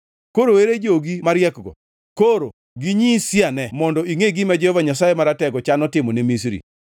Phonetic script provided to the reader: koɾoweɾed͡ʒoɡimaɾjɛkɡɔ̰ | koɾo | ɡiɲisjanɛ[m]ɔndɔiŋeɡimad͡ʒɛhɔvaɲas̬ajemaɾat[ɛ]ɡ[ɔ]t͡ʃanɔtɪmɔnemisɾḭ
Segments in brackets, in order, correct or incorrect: correct, correct, correct

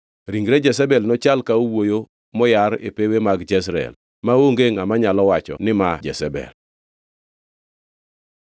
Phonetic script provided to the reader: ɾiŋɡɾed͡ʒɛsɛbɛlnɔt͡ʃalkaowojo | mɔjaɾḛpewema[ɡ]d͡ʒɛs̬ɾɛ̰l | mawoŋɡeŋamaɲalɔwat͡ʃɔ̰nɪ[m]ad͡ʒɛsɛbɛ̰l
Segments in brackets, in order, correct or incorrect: correct, correct

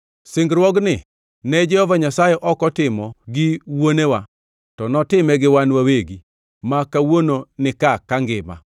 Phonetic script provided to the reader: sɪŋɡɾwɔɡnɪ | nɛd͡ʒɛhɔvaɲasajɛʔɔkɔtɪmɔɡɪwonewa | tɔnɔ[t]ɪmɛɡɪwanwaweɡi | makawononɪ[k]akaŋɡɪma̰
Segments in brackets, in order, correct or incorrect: correct, correct

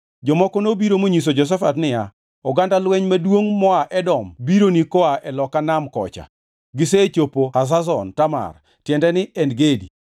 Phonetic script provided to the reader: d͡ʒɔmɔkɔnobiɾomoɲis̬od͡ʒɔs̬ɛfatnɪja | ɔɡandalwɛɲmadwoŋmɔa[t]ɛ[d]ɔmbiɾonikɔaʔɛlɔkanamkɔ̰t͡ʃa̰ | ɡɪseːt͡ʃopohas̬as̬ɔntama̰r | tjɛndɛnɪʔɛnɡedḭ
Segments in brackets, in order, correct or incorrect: incorrect, correct

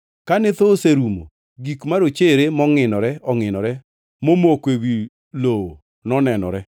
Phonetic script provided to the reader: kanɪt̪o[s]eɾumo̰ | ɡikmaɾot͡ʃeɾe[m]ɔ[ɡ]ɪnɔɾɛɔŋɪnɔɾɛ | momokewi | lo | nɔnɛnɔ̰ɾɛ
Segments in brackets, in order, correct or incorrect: correct, correct, incorrect

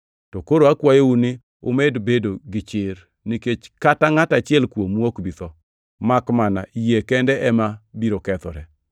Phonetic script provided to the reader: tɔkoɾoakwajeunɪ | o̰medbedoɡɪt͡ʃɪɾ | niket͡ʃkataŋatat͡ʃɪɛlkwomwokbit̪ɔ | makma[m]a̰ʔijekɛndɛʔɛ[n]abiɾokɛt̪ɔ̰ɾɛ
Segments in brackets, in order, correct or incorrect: incorrect, incorrect

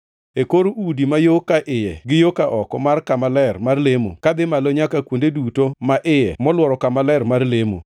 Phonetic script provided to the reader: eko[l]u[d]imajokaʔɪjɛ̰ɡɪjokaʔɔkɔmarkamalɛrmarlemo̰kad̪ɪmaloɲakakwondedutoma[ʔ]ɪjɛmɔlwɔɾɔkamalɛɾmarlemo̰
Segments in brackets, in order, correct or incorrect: incorrect, correct, correct

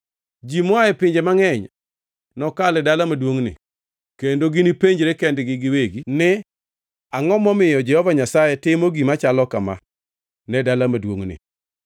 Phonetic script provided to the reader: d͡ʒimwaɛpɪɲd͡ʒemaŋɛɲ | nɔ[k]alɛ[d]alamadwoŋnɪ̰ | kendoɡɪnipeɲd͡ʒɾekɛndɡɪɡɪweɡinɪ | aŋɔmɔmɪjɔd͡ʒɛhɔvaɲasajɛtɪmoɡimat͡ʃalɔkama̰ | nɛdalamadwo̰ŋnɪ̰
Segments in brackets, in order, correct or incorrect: correct, correct

